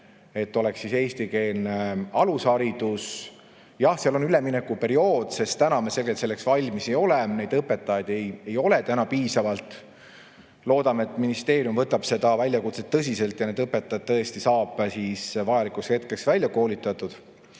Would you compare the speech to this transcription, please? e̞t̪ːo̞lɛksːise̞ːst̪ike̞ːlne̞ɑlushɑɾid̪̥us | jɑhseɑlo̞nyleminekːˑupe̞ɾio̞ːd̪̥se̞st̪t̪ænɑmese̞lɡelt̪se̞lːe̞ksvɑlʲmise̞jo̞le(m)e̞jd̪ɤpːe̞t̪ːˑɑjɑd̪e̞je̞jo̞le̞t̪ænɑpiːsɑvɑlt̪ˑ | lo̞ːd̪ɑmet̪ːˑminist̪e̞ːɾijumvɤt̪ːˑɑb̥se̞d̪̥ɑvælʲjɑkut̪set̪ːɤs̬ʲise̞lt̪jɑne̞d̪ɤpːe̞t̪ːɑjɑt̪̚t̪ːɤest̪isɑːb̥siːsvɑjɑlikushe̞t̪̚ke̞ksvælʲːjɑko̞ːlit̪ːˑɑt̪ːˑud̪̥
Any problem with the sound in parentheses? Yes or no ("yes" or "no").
yes